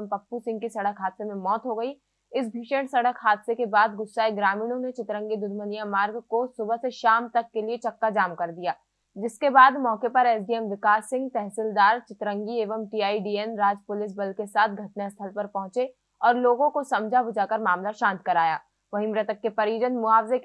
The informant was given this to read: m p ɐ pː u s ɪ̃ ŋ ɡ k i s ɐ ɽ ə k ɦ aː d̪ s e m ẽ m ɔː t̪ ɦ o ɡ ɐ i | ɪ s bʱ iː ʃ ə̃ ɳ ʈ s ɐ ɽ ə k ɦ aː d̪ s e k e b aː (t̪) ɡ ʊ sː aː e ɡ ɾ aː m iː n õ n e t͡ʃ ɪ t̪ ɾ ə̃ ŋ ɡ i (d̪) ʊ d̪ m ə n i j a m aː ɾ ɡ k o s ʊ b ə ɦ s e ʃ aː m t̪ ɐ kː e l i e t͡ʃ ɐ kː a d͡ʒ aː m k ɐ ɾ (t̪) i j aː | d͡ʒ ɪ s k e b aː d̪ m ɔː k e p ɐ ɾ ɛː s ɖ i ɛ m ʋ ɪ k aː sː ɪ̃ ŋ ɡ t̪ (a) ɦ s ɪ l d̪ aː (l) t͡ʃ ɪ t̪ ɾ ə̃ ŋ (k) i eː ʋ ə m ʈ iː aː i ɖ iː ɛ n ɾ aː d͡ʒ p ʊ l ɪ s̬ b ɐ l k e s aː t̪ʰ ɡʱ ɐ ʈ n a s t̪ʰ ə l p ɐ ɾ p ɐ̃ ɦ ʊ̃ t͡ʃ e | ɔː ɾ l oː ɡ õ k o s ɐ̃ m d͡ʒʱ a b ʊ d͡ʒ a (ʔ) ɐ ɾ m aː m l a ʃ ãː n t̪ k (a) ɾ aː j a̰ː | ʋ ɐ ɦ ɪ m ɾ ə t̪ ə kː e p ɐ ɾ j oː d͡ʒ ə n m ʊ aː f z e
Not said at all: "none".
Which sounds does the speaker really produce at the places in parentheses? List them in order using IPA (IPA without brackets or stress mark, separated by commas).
d̪, d̪, d̪, ɛ, ɾ, ɡ, k, ɐ